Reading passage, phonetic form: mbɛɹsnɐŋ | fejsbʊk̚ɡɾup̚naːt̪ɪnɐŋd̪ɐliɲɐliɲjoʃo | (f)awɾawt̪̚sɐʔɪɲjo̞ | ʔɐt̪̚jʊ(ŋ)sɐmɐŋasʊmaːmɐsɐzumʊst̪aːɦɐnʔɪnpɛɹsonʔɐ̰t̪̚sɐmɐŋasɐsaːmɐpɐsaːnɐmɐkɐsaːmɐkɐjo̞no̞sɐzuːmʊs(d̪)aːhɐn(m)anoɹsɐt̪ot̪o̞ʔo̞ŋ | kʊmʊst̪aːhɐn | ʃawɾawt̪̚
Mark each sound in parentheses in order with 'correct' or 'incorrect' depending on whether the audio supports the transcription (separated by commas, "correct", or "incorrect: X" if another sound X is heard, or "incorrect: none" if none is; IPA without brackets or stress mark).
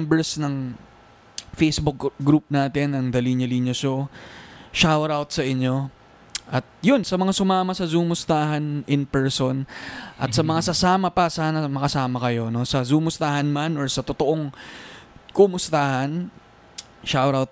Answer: incorrect: ʃ, incorrect: n, incorrect: t̪, correct